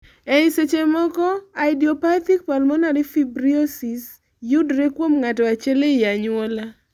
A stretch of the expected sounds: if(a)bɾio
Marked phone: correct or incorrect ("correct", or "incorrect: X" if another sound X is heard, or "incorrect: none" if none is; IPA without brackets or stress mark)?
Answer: incorrect: i